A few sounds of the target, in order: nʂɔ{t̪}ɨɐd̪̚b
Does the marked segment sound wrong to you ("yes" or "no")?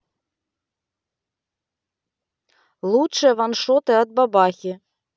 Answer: no